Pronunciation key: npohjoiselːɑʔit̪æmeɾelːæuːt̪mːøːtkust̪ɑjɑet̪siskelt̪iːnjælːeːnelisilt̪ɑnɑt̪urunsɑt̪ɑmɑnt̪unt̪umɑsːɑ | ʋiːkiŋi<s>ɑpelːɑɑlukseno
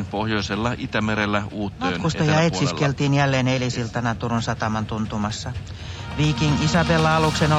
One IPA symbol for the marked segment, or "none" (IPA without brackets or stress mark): s